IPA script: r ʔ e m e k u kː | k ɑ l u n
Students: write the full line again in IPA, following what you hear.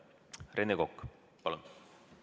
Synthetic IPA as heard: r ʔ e n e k o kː | p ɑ l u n